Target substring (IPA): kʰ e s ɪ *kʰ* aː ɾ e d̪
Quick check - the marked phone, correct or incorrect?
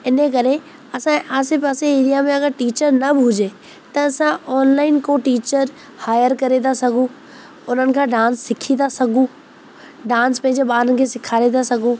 correct